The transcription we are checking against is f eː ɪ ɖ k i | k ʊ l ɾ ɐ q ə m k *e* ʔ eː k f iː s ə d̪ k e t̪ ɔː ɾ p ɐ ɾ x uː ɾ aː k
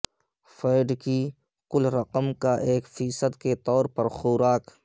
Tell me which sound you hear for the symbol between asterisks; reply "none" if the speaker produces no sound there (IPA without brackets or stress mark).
a